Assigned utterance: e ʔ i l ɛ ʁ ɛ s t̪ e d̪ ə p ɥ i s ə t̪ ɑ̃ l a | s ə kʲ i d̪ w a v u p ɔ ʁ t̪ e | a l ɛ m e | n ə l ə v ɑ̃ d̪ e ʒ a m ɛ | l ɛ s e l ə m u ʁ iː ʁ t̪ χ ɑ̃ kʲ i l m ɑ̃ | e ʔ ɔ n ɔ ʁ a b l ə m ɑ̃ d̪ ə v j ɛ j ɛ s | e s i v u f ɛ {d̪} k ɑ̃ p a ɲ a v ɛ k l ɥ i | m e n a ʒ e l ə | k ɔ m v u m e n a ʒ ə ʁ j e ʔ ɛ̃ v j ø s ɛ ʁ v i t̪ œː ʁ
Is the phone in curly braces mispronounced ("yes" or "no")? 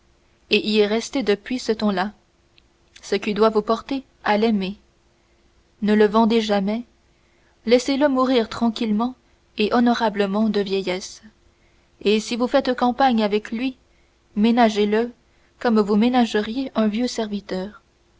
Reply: yes